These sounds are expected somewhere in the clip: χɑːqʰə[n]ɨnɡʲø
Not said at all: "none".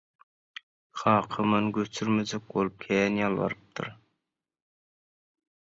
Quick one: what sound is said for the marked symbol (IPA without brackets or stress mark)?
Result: m